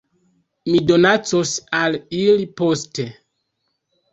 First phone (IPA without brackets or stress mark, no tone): m